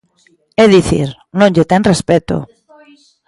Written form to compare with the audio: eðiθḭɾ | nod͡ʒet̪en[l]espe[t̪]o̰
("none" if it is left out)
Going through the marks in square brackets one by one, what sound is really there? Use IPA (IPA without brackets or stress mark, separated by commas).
r, t̪